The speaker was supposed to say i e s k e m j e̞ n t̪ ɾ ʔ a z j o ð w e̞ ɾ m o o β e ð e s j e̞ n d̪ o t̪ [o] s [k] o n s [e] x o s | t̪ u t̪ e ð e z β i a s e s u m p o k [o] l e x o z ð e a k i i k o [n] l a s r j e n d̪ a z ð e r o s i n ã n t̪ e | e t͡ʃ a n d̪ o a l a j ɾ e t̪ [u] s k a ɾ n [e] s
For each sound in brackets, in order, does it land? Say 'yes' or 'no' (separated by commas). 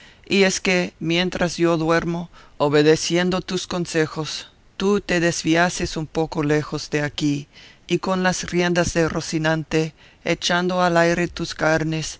no, yes, yes, yes, yes, yes, yes